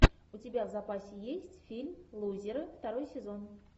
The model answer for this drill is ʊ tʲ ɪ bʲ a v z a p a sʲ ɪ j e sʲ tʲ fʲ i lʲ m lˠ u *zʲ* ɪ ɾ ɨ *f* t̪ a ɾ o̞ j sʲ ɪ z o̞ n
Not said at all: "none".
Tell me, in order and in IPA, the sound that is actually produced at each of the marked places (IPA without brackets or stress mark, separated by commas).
zʲ, f